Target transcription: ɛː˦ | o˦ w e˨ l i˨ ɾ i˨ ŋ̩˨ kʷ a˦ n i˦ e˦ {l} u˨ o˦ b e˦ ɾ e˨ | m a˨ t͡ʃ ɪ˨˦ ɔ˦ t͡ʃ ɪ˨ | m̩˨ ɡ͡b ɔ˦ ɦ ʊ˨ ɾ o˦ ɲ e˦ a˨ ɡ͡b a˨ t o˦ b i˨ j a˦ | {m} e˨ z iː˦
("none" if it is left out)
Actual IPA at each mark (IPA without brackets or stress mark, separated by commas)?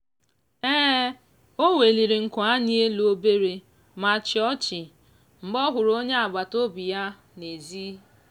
l, n